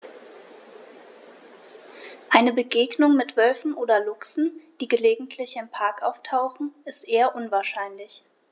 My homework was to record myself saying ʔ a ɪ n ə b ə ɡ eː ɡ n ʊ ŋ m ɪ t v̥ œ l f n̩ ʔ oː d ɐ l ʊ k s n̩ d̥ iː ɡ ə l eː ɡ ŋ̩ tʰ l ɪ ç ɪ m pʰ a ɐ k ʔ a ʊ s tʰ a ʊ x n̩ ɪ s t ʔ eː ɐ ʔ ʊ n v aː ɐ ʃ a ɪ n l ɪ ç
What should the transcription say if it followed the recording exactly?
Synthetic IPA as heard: ʔ a ɪ n ə b ə ɡ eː ɡ n ʊ ŋ m ɪ t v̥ œ l f n̩ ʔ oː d ɐ l ʊ k s n̩ d̥ iː ɡ ə l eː ɡ ŋ̩ tʰ l ɪ ç ɪ m pʰ a ɐ k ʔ a ʊ f tʰ a ʊ x n̩ ɪ s t ʔ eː ɐ ʔ ʊ n v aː ɐ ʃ a ɪ n l ɪ ç